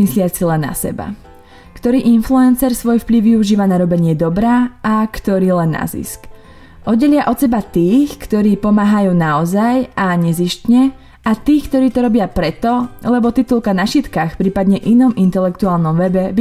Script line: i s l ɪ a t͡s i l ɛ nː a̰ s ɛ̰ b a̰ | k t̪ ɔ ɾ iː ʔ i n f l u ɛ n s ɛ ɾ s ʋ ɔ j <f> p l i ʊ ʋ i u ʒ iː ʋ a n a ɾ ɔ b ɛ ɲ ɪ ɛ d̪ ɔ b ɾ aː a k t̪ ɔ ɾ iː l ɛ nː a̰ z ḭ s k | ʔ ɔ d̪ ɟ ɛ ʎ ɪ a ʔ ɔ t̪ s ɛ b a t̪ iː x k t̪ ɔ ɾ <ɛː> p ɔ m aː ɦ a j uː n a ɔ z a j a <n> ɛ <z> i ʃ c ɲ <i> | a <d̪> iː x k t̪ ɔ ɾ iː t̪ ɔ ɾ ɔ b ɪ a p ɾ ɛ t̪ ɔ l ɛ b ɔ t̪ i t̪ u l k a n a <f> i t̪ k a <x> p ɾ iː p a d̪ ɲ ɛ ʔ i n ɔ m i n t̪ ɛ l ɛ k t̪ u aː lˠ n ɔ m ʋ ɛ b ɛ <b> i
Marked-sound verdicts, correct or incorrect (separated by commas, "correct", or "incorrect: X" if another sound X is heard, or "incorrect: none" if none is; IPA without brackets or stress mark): correct, incorrect: iː, incorrect: ɲ, correct, incorrect: ɛ, incorrect: t̪, incorrect: ʃ, correct, correct